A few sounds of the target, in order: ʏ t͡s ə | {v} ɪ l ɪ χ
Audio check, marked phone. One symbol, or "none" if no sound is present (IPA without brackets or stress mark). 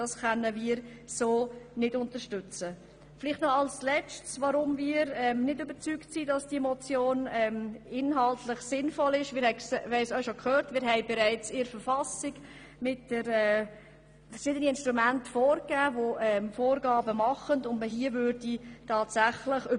f